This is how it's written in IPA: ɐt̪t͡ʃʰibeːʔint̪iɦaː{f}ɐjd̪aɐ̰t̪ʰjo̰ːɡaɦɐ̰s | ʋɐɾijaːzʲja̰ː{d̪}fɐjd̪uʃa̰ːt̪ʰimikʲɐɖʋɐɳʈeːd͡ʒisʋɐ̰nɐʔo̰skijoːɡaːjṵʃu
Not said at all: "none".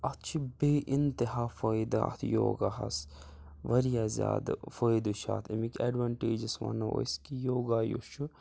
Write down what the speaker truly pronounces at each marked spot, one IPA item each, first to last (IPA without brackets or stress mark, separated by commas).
f, d̪